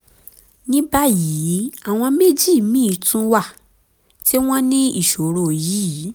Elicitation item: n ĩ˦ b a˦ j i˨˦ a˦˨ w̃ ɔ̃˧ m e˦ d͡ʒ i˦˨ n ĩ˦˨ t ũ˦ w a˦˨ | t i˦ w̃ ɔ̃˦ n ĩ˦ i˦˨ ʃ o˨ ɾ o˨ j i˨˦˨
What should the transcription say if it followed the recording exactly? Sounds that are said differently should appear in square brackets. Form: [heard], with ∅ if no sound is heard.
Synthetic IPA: n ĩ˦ b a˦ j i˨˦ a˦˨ w̃ ɔ̃˧ m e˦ d͡ʒ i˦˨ [m] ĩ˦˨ t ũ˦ w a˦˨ | t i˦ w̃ ɔ̃˦ n ĩ˦ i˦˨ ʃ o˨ ɾ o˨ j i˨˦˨

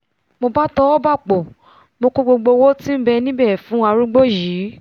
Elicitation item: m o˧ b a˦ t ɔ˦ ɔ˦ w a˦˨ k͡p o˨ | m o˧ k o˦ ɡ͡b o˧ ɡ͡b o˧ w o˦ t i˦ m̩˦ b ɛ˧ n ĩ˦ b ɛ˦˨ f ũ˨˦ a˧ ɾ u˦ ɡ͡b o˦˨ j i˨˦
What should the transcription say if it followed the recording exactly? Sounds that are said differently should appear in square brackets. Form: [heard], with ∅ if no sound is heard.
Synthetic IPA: m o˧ b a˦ t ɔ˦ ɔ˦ [b] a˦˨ k͡p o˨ | m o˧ k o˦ ɡ͡b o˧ ɡ͡b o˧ w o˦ t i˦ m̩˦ b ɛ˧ n ĩ˦ b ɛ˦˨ f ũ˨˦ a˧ ɾ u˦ ɡ͡b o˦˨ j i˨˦

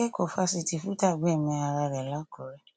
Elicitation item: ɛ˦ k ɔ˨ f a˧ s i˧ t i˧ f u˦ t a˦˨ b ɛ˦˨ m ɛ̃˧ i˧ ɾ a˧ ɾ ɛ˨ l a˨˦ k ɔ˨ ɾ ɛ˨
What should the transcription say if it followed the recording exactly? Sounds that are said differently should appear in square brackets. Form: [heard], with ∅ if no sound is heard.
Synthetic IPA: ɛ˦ k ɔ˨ f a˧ s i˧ t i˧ f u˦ t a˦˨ [ɡ͡b] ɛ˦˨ m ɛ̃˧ [a˧] ɾ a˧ ɾ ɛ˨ l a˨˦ k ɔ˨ ɾ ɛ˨

